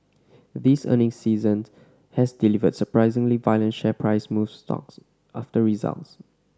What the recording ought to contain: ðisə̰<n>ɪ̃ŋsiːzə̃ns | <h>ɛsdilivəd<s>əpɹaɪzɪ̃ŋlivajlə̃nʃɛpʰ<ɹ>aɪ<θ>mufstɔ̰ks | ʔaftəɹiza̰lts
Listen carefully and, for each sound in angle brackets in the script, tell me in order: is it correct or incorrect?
correct, correct, correct, correct, incorrect: s

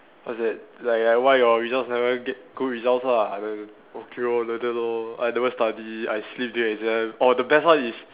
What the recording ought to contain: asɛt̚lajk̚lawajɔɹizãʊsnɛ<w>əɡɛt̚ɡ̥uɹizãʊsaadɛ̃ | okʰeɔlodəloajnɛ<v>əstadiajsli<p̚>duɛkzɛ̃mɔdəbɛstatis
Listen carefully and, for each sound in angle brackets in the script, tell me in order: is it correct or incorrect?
incorrect: v, correct, correct

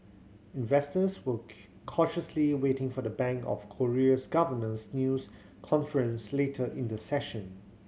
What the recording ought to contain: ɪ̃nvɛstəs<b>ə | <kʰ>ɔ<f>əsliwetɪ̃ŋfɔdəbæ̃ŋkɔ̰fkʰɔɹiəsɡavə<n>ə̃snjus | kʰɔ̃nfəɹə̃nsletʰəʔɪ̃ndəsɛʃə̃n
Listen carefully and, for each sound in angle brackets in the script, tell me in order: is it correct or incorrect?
incorrect: w, correct, incorrect: ʃ, correct

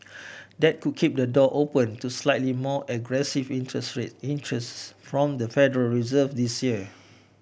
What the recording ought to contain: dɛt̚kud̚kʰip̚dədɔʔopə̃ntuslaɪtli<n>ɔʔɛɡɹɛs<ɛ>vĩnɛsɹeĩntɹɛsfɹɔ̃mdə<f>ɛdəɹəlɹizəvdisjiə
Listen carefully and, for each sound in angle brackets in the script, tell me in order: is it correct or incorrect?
incorrect: m, incorrect: i, correct

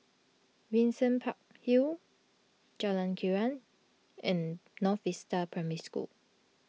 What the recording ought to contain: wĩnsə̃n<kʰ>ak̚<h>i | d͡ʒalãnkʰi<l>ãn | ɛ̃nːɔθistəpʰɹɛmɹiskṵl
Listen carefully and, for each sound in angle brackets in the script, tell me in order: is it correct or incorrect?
incorrect: pʰ, correct, incorrect: ɹ

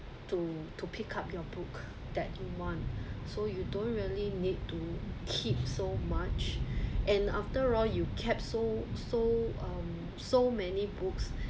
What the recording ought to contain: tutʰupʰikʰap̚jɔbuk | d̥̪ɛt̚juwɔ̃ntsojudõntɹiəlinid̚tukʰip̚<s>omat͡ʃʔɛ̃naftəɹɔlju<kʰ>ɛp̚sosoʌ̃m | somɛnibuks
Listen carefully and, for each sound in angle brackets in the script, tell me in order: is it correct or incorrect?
correct, correct

